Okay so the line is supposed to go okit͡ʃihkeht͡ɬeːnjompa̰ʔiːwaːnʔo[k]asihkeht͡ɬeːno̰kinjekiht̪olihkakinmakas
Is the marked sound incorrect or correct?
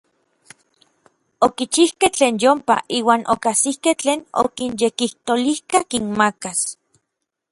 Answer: correct